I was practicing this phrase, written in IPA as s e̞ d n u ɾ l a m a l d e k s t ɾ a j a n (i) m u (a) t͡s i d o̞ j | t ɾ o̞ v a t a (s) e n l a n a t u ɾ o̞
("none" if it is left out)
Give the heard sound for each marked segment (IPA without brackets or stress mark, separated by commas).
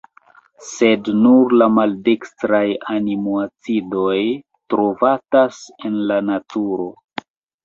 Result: i, a, s